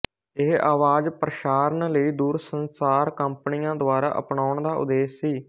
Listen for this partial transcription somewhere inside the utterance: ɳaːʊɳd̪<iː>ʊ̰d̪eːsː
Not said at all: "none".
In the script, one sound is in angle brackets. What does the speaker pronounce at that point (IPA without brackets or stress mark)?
aː